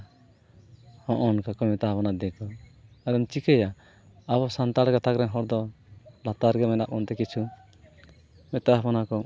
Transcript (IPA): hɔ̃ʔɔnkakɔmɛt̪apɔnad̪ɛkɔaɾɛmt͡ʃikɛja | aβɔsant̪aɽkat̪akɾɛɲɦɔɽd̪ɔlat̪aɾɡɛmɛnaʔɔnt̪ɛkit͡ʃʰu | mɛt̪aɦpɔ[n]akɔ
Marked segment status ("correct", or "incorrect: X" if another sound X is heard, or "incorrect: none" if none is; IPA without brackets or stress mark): correct